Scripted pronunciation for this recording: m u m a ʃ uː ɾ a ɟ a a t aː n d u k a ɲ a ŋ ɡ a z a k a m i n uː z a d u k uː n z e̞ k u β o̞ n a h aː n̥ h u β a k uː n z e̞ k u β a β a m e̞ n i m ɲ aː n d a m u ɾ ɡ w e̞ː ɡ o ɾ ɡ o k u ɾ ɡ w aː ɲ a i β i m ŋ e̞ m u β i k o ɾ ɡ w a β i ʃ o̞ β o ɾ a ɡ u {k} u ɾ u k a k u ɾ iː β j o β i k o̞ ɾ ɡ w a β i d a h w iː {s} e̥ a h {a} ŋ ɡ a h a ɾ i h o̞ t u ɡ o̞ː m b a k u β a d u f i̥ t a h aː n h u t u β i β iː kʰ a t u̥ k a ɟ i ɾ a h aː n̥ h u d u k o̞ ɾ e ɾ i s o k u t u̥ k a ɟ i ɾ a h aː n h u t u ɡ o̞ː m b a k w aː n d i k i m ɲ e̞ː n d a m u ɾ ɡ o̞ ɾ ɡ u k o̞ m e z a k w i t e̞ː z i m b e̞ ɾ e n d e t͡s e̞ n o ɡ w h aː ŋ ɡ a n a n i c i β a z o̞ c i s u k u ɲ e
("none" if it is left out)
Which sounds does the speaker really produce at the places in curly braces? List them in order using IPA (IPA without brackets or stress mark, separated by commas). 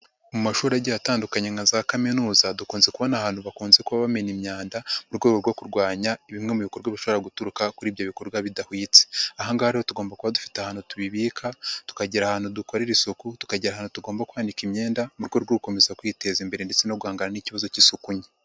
t, t͡s, a